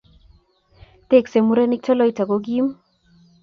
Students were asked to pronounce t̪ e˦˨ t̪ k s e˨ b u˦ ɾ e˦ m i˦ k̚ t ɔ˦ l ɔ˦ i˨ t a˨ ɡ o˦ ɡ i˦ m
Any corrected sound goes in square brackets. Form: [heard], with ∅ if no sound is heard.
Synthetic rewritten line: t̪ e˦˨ [∅] k s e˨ [m] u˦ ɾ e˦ [n] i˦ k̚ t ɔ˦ l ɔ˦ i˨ t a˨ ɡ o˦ ɡ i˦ m